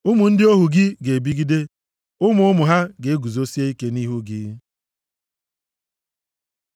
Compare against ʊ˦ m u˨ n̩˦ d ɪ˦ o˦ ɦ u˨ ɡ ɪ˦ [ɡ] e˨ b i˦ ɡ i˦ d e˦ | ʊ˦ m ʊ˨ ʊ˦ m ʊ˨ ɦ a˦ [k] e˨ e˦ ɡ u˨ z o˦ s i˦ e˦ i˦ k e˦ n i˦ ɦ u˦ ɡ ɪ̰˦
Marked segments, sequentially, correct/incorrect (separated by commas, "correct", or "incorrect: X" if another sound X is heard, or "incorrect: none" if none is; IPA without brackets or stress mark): correct, incorrect: ɡ